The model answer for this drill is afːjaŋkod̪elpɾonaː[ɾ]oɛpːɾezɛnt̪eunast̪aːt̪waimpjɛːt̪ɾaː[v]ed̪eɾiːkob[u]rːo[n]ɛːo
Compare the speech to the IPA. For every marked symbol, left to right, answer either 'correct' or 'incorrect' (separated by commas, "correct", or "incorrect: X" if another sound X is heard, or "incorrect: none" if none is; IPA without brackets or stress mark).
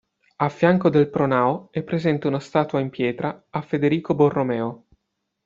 incorrect: none, incorrect: f, incorrect: o, incorrect: m